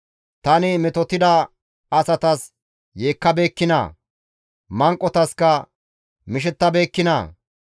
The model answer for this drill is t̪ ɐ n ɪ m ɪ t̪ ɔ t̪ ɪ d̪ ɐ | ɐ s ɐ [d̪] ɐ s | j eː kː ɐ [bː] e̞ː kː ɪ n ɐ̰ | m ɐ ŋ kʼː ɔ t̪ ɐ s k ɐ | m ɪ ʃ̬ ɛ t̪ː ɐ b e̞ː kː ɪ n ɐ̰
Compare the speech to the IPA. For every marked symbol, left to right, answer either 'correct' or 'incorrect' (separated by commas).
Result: incorrect, incorrect